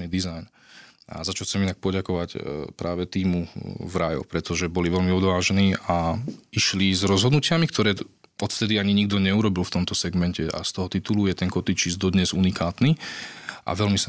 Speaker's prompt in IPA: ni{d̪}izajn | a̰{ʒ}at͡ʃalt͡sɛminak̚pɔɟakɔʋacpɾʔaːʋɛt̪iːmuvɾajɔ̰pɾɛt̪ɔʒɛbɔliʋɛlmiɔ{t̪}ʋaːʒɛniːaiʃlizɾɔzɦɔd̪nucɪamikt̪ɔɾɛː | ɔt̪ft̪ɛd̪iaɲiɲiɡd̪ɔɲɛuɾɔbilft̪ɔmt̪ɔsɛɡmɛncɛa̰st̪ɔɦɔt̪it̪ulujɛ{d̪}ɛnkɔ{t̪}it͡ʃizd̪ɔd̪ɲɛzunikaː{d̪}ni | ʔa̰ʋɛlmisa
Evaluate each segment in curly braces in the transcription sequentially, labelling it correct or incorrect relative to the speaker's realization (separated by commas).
correct, incorrect, incorrect, incorrect, correct, incorrect